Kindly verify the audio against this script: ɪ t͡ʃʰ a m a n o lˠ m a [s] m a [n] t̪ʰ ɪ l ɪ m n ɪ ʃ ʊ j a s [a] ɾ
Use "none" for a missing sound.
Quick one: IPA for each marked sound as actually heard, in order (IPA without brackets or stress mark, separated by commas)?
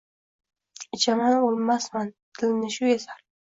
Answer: s, n, a